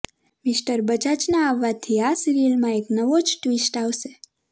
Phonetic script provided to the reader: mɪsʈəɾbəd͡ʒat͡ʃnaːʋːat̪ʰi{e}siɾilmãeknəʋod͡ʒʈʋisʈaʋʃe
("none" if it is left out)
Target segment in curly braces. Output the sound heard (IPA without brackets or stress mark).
a